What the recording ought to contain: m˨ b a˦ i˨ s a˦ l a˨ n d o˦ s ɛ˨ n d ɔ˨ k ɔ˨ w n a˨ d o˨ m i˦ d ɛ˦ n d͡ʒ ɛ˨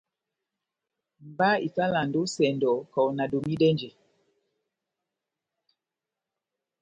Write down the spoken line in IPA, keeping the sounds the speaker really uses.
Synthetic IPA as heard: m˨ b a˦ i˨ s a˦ l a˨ n d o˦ s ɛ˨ n d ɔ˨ k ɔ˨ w n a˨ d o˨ m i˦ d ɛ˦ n d͡ʒ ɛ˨